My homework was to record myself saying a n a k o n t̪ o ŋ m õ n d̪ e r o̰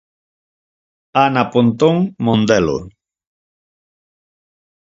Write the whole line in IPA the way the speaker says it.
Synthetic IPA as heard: a n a p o n t̪ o ŋ m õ n d̪ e l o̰